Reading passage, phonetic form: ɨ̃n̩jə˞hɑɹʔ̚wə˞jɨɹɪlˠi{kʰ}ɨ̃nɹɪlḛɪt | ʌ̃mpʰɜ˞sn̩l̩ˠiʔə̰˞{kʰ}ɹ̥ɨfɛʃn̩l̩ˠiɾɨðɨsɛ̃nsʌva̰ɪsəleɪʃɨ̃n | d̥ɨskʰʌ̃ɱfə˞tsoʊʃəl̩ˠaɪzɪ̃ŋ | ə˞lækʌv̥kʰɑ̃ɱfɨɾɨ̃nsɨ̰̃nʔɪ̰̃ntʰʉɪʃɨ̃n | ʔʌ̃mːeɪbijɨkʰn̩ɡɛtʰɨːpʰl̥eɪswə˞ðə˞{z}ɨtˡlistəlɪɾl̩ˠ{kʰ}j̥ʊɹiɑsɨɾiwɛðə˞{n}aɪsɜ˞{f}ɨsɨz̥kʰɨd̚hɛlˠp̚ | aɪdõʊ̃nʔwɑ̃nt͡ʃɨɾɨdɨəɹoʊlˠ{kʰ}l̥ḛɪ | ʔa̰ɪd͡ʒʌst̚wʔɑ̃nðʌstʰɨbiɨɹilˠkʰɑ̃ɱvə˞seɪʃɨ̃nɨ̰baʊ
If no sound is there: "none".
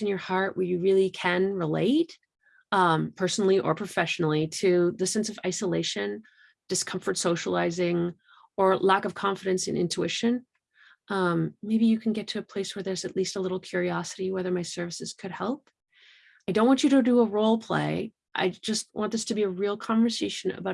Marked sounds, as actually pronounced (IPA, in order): kʰ, pʰ, z, kʰ, m, v, pʰ

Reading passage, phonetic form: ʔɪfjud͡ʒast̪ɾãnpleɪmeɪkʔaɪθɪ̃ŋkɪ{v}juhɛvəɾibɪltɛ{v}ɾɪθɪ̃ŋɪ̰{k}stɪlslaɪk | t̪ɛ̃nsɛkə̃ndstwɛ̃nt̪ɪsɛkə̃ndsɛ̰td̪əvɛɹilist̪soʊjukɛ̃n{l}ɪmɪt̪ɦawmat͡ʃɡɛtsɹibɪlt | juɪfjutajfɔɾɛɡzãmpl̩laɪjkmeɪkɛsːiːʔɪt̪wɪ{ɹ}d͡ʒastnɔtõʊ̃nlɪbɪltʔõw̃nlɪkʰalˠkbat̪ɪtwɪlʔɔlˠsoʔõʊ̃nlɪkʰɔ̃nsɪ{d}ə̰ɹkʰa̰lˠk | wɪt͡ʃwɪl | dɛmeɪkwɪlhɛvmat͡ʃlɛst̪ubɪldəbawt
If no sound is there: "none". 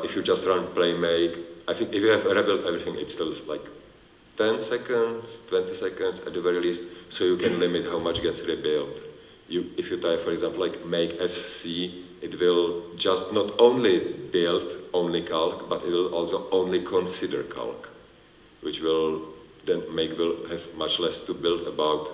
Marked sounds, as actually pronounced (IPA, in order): f, v, t, l, l, d

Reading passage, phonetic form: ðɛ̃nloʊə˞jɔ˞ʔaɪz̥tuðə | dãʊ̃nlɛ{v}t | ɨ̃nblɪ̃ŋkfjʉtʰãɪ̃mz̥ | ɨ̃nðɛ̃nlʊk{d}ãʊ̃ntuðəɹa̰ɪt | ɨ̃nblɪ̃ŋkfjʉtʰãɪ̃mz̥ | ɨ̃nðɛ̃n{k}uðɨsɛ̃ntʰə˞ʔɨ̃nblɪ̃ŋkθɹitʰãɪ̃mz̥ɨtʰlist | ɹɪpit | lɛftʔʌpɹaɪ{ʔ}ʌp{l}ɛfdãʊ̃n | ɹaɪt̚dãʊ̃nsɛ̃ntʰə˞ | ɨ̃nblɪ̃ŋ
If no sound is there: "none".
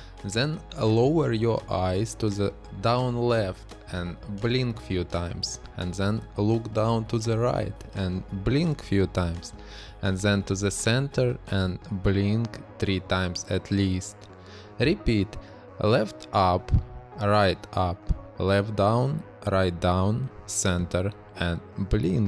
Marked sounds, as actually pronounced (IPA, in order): f, d, t, t, l

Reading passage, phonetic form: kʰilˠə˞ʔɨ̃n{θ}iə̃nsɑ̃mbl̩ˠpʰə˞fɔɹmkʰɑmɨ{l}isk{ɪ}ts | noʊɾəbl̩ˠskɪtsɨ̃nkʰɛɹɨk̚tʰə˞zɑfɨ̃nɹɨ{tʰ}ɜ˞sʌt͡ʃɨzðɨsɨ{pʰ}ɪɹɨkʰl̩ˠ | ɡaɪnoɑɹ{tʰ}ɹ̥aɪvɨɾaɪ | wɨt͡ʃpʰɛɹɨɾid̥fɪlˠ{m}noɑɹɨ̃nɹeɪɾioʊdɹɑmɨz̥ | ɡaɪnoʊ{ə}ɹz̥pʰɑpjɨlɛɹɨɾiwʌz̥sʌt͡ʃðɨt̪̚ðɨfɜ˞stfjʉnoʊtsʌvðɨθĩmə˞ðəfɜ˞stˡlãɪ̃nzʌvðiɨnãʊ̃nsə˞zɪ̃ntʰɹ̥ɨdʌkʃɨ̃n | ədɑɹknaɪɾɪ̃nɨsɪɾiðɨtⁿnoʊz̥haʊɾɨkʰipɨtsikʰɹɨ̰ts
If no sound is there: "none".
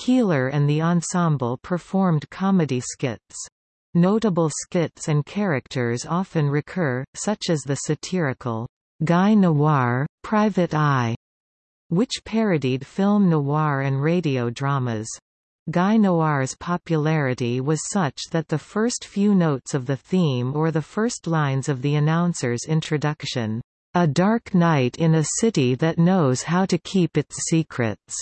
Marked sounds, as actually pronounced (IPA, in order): ð, ɾ, ɪ, kʰ, tʰ, pʰ, m, ɑ

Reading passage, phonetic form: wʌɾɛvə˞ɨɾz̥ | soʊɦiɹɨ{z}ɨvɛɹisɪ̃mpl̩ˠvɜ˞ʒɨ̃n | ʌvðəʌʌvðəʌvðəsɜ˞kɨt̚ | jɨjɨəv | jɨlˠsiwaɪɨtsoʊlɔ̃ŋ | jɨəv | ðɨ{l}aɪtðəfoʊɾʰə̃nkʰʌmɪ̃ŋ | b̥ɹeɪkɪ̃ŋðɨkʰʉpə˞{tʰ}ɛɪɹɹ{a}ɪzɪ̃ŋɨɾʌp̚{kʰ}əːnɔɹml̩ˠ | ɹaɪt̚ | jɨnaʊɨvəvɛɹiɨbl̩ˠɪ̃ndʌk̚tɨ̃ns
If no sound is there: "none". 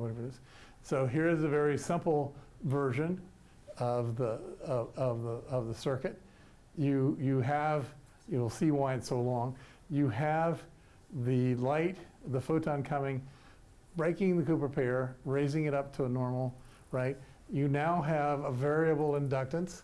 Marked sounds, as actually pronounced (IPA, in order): z, l, pʰ, e, tʰ

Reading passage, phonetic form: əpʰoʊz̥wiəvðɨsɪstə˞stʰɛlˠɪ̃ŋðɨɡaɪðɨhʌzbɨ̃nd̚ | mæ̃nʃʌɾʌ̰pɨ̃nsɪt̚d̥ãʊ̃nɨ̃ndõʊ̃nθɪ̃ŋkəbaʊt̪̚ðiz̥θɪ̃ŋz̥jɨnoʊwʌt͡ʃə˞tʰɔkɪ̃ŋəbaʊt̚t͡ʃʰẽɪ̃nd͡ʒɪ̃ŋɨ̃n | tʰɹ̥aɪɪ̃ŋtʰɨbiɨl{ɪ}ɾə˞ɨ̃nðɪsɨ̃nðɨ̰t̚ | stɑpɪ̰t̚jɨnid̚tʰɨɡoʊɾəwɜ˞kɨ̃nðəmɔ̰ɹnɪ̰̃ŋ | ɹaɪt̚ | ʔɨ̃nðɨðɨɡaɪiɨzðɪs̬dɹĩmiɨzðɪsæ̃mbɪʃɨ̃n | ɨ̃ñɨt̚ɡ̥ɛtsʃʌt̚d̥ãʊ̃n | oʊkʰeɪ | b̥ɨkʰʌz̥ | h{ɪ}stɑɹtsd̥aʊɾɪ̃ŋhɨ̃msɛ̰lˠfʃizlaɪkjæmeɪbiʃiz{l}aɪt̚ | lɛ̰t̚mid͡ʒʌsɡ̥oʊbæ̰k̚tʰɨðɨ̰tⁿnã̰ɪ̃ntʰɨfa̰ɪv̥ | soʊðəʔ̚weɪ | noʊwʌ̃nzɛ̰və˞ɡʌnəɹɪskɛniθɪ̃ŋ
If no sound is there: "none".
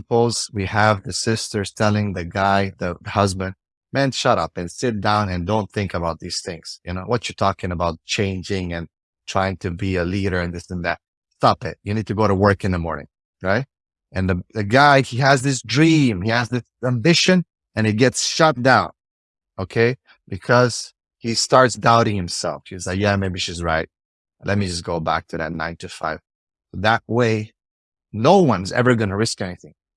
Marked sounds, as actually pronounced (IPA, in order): i, i, ɹ

